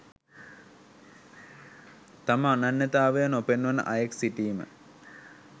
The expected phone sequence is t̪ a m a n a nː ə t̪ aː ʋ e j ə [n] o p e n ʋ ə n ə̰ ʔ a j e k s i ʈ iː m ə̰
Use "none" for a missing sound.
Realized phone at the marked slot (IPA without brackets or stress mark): n